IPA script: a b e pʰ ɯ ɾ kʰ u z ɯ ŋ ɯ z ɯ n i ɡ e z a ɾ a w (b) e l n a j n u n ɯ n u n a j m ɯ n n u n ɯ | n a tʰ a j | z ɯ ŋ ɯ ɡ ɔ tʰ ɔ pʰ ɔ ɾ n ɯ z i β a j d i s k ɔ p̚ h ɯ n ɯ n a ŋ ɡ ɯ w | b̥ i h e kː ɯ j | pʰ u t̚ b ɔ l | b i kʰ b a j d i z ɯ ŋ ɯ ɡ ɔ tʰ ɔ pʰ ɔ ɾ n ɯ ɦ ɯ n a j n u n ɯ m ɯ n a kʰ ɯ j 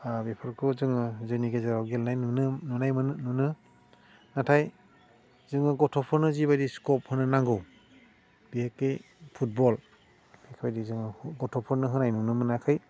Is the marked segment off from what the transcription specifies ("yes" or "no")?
yes